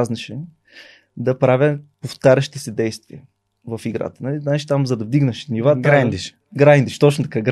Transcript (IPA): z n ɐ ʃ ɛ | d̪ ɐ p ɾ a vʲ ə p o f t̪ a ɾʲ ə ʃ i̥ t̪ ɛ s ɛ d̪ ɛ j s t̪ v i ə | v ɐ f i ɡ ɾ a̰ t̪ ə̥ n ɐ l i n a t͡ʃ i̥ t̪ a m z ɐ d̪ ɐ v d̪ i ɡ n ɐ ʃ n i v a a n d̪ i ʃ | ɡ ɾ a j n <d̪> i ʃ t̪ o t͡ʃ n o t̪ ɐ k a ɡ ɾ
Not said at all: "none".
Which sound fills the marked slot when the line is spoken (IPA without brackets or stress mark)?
d̪